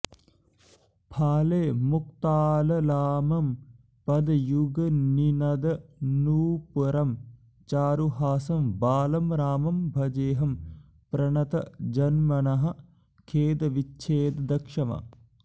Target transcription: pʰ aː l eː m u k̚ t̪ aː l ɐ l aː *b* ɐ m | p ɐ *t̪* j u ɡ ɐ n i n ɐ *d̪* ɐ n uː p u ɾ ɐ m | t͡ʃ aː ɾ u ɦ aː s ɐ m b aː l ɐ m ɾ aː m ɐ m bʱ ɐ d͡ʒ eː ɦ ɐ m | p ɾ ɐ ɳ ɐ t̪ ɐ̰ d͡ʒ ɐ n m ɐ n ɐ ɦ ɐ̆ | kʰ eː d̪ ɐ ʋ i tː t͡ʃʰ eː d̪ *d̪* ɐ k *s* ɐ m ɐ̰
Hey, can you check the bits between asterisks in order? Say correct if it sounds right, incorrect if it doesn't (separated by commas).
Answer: incorrect, incorrect, correct, correct, incorrect